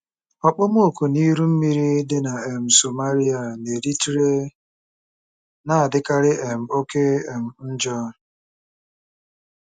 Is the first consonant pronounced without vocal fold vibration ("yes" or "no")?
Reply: yes